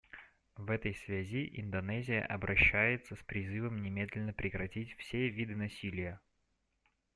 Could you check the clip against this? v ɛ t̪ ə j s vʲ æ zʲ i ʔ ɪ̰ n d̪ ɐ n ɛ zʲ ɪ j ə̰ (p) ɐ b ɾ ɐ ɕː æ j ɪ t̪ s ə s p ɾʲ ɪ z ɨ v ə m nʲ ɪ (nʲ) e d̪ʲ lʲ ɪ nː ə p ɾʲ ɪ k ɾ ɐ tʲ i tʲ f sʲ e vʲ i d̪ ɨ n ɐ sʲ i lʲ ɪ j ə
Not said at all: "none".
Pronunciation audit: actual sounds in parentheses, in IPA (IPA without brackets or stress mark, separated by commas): ʔ, mʲ